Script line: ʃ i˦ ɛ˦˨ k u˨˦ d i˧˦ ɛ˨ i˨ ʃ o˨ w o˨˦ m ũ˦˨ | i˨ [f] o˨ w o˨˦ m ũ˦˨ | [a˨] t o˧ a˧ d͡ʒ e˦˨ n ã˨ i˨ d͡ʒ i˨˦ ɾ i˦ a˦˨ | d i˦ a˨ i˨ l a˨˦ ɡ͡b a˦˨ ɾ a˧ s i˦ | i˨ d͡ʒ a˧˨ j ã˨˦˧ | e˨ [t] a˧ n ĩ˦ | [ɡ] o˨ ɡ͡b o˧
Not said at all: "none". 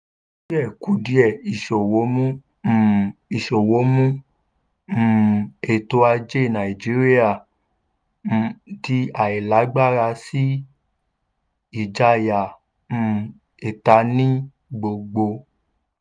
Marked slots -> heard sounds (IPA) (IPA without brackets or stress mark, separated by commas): ʃ, e˨, t, ɡ͡b